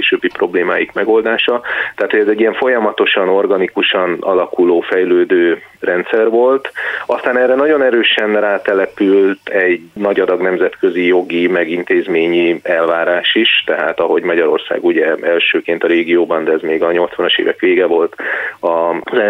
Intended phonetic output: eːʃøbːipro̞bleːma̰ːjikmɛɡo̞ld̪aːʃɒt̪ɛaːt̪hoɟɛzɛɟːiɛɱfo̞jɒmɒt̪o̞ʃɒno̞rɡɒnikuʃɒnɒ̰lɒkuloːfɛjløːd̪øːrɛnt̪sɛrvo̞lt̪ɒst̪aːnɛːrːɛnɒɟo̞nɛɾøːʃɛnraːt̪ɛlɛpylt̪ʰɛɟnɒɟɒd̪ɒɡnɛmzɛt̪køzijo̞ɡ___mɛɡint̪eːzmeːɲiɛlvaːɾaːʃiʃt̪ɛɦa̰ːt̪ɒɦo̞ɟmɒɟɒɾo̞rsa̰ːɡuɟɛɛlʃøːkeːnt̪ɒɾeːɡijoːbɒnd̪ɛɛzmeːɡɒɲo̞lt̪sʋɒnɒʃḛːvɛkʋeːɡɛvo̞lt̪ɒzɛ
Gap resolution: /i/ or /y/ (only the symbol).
i